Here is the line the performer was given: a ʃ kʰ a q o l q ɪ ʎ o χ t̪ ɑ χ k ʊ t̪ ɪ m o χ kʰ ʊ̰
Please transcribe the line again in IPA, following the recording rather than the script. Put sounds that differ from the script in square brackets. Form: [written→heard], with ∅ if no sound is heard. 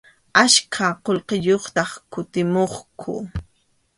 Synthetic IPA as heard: a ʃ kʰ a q o l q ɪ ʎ o χ t̪ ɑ χ k ʊ t̪ ɪ m o χ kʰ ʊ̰